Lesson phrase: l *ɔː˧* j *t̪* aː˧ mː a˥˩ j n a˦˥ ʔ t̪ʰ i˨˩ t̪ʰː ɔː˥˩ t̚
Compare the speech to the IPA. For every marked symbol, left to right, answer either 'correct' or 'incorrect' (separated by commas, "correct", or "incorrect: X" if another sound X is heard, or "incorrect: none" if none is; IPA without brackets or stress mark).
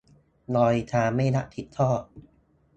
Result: correct, incorrect: t̪ʰ